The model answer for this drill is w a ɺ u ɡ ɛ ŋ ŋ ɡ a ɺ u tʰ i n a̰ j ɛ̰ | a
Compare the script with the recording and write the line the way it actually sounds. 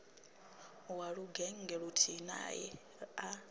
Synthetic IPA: w a ɺ u ɡ ɛ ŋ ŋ ɡ ɛ ɺ u tʰ i n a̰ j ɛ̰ | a